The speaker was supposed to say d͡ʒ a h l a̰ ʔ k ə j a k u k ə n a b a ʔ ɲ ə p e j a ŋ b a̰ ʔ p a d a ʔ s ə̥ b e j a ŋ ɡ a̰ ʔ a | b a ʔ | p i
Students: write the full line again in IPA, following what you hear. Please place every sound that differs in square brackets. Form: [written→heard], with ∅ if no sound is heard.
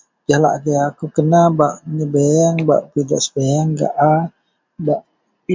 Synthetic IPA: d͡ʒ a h l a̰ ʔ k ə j a k u k ə n a b a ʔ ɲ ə [p→b] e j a ŋ b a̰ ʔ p [a→i] d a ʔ s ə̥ b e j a ŋ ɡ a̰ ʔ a | b a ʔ | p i